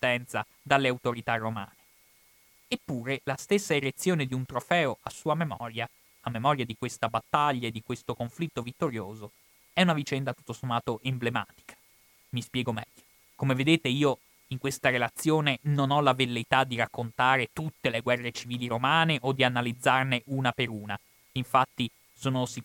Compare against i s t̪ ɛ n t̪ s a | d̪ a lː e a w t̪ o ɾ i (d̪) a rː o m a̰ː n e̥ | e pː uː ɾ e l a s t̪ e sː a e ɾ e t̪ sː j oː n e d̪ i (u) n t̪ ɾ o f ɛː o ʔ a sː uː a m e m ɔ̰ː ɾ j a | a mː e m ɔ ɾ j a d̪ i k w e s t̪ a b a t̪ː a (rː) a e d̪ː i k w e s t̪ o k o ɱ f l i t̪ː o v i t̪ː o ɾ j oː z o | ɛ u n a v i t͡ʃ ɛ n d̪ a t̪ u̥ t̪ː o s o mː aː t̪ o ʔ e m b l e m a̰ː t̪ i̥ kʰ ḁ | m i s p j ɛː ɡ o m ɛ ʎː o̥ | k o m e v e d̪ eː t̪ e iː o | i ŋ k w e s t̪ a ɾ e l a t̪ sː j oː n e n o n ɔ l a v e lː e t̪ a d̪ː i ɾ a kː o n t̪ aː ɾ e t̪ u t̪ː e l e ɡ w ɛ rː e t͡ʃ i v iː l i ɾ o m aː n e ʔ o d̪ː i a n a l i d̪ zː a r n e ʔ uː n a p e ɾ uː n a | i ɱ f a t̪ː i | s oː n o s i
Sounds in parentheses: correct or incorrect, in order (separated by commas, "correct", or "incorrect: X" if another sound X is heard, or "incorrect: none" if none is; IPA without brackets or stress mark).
incorrect: t̪, correct, incorrect: ʎː